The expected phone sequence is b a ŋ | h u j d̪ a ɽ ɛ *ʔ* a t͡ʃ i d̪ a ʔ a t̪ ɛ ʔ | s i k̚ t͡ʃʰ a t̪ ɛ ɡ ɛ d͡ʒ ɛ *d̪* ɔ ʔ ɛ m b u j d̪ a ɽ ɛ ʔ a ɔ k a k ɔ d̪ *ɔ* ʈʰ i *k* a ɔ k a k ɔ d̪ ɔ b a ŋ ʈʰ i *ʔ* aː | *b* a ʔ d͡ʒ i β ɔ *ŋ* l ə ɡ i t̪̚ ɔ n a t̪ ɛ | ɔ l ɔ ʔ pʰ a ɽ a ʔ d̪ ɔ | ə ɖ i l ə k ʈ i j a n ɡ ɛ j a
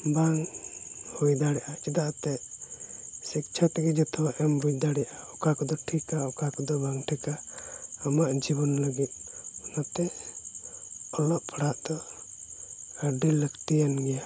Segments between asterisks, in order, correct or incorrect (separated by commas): correct, incorrect, correct, correct, incorrect, incorrect, incorrect